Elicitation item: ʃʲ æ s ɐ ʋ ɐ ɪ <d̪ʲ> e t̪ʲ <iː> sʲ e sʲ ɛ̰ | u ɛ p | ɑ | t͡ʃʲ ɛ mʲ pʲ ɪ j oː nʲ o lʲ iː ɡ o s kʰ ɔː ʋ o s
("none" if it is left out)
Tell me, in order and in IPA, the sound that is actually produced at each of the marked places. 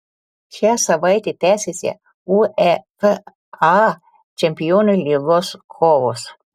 t̪ʲ, æː

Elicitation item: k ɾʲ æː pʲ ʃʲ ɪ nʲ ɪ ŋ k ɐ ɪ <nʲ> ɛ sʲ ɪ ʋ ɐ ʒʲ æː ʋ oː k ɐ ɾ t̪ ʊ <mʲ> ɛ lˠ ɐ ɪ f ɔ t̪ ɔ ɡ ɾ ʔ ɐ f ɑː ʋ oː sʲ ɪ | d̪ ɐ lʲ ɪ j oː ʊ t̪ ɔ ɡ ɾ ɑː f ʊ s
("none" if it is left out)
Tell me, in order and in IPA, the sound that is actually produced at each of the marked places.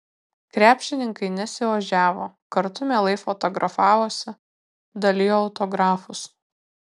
nʲ, mʲ

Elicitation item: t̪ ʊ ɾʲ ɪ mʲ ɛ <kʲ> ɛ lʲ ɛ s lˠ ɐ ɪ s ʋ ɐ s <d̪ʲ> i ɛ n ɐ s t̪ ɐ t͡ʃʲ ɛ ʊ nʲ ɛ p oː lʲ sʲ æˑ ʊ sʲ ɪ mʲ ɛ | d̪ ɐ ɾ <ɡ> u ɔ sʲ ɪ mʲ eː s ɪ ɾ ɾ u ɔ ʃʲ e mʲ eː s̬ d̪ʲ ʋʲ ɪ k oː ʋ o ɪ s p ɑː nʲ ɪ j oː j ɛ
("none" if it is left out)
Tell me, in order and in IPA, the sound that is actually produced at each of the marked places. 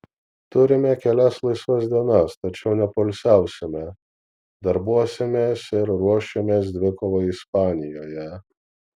kʲ, d̪ʲ, b

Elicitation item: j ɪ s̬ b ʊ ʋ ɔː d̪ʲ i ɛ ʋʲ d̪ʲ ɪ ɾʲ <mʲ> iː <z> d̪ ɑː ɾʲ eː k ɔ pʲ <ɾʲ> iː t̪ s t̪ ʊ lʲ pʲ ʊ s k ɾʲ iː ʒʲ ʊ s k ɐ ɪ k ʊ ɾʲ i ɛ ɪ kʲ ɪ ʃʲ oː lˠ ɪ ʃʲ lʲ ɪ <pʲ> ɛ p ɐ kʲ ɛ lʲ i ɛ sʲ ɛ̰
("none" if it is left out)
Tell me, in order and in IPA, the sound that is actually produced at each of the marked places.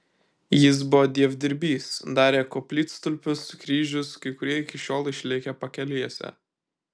bʲ, s, lʲ, kʲ

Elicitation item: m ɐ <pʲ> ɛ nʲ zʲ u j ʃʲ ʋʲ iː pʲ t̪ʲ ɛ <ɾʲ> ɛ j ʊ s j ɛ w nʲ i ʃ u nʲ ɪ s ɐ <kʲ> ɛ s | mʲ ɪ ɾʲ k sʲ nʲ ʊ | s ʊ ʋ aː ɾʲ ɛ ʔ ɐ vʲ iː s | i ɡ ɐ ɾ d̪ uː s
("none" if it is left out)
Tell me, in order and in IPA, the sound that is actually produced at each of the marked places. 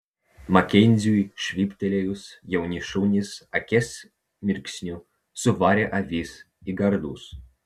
kʲ, lʲ, kʲ

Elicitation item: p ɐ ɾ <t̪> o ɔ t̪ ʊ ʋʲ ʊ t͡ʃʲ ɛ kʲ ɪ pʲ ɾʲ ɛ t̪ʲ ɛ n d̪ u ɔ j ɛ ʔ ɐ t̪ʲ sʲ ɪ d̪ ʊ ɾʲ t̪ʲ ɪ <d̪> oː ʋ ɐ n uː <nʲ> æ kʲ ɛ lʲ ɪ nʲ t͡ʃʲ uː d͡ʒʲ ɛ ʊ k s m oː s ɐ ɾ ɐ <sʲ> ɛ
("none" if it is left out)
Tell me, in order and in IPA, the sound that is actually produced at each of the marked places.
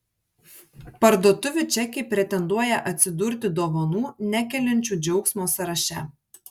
d̪, d̪, nʲ, ʃʲ

